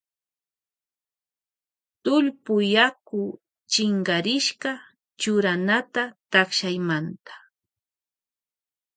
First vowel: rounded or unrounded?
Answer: rounded